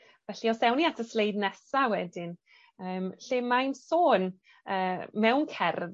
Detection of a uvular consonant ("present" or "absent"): absent